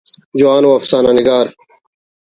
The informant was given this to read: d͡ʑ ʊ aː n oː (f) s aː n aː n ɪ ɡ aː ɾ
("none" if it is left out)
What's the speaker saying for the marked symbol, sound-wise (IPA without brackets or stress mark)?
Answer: f